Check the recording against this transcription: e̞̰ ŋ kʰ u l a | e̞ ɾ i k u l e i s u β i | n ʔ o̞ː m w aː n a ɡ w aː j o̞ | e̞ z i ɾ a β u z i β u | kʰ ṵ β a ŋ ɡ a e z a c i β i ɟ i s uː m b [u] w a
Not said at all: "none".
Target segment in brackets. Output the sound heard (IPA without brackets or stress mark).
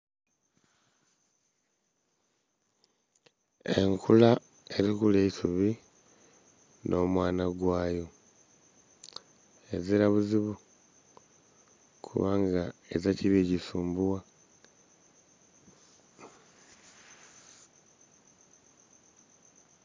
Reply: u